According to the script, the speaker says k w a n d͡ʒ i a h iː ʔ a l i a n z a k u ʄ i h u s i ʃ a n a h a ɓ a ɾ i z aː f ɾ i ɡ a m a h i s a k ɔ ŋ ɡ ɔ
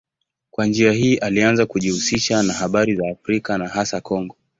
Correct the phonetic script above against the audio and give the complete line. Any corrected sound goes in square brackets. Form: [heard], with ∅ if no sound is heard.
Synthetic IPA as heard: k w a n d͡ʒ i a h iː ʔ a l i a n z a k u ʄ i h u s i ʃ a n a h a ɓ a ɾ i z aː f ɾ i [k] a [n] a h [a] s a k ɔ ŋ ɡ ɔ